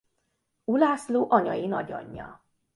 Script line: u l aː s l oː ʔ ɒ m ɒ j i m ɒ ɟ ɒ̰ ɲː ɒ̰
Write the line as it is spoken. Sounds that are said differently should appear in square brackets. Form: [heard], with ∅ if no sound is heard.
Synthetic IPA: u l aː s l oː ʔ ɒ [ɲ] ɒ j i [n] ɒ ɟ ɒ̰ ɲː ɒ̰